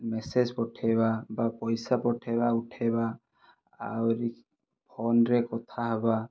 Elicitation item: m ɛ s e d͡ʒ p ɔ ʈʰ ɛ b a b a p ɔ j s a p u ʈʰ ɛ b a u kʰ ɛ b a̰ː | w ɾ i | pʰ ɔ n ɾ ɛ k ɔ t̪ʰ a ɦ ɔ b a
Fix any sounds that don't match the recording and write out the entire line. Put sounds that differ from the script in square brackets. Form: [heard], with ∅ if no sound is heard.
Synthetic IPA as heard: m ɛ s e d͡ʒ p ɔ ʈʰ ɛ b a b a p ɔ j s a p [ɔ] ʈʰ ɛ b a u [ʈʰ] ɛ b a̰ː | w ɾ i | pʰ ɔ n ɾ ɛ k ɔ t̪ʰ a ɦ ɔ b a